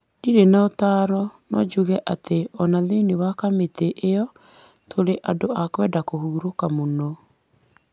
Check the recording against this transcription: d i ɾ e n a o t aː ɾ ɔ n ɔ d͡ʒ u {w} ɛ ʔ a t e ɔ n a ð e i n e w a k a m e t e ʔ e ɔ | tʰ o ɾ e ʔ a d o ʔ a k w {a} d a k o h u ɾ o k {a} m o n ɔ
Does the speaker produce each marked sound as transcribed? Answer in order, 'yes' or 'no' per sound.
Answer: no, no, yes

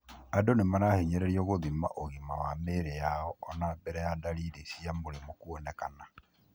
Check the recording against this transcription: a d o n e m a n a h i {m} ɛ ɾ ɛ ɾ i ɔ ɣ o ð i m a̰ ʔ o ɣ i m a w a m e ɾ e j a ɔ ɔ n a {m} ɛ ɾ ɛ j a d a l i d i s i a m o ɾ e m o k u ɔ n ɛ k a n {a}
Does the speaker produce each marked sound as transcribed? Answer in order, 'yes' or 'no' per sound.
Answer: no, no, yes

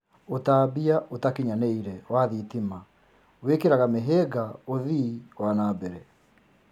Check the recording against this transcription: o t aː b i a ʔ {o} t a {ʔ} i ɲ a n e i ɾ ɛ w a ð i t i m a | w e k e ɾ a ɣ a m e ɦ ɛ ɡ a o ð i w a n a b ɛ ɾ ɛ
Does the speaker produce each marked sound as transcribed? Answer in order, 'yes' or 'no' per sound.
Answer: yes, no

